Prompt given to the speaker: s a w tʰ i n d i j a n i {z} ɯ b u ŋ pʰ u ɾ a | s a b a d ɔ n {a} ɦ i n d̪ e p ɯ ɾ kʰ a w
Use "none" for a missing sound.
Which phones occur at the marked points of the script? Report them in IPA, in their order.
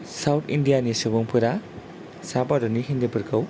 s, i

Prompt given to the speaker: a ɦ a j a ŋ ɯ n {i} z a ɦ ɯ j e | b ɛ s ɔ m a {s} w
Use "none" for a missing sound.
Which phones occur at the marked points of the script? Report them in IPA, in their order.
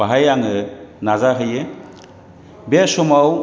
a, none

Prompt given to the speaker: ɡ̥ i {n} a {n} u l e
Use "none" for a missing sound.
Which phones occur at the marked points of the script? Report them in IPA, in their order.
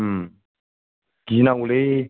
n, none

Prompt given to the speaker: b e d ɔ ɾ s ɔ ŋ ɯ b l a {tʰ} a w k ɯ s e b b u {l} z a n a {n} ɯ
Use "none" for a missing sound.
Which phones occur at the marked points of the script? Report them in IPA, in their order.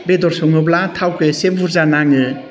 tʰ, ɾ, ŋ

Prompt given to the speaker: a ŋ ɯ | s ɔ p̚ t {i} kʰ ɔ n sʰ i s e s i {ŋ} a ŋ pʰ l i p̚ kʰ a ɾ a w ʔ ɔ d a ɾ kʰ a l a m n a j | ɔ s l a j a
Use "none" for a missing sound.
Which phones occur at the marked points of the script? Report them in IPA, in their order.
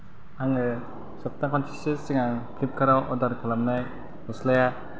a, ŋ

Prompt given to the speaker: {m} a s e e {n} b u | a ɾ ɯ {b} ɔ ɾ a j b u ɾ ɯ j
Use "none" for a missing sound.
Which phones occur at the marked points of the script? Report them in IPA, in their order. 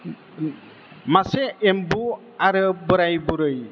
m, m, b

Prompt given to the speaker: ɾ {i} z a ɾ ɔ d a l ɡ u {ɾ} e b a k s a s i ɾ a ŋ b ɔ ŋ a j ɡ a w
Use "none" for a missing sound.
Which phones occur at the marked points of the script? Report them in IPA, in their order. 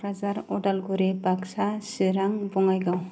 a, ɾ

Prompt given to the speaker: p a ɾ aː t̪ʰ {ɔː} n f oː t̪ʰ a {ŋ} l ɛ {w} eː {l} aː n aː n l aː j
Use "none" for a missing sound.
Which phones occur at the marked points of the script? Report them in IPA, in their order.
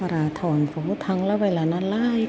ɔː, ŋ, w, l

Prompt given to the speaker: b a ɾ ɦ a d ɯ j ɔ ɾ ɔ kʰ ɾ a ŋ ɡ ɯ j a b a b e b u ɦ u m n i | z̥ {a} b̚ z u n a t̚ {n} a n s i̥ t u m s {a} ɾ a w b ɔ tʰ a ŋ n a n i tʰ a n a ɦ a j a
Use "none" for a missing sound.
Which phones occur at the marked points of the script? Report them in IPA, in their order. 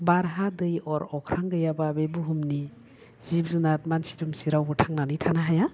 i, m, i

